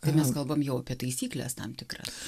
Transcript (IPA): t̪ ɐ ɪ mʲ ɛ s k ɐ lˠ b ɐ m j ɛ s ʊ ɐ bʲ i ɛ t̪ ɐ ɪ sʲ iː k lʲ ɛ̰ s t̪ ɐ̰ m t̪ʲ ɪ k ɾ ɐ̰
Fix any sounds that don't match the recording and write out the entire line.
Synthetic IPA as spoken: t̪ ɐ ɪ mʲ ɛ s k ɐ lˠ b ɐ m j ɛ ʊ ɐ pʲ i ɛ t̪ ɐ ɪ sʲ iː k lʲ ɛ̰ s t̪ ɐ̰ m t̪ʲ ɪ k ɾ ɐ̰